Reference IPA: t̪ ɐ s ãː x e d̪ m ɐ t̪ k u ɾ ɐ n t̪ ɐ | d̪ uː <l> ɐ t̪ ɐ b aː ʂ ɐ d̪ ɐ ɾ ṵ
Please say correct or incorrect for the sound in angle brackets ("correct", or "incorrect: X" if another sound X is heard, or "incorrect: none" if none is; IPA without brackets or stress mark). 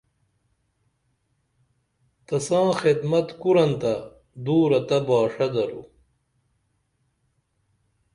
incorrect: ɾ